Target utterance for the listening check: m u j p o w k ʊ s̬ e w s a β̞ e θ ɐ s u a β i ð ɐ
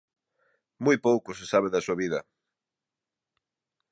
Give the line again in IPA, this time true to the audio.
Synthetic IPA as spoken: m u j p o w k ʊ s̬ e s a β̞ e ð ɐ s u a β i ð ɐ